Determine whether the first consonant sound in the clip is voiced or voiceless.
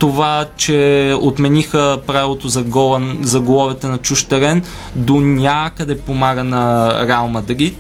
voiceless